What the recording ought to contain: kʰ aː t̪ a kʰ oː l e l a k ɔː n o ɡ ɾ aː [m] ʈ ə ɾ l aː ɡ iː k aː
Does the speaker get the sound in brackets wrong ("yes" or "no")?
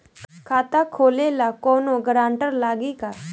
yes